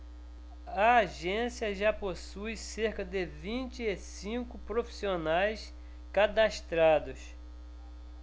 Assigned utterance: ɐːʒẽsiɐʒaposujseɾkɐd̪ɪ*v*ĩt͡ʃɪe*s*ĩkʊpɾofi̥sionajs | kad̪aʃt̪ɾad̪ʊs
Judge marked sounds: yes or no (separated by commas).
yes, yes